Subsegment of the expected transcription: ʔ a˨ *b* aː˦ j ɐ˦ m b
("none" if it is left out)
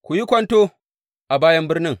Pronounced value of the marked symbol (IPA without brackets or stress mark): b